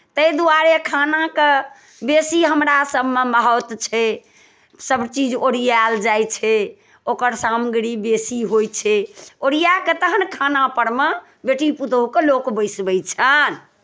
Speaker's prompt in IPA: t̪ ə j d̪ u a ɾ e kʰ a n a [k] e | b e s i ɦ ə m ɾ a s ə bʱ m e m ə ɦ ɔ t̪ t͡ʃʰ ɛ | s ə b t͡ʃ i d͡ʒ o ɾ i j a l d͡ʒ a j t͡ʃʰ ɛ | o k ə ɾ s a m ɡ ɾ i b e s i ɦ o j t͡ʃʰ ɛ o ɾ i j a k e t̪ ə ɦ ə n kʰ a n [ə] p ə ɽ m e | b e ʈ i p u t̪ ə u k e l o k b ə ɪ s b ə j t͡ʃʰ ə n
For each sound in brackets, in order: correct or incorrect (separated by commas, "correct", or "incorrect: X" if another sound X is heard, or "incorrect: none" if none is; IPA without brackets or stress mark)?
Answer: correct, incorrect: a